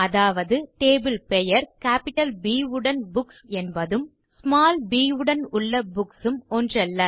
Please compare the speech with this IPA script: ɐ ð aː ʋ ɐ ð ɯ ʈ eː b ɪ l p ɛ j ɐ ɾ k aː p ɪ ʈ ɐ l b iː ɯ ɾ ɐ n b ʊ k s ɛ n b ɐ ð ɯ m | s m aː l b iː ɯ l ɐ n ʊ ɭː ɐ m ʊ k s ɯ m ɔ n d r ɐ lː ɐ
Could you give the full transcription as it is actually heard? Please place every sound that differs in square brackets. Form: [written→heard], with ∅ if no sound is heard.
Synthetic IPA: ɐ ð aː ʋ ɐ ð ɯ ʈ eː b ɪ l p ɛ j ɐ ɾ k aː p ɪ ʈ ɐ l b iː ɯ [ɾ→ɽ] ɐ n b ʊ k s ɛ n b ɐ ð ɯ m | s m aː l b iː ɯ [l→ɽ] ɐ n ʊ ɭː ɐ [m→b] ʊ k s ɯ m ɔ n d r ɐ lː ɐ